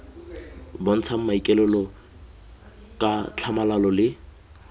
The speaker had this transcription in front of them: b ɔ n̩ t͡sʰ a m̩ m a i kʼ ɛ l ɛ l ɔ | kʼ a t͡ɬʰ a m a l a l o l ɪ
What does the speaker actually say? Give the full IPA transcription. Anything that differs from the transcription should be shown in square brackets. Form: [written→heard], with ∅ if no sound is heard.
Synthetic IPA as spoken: b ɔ n̩ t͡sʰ a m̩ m a i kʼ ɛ l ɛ l ɔ | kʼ a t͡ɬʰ a m a l a l [o→ɔ] l ɪ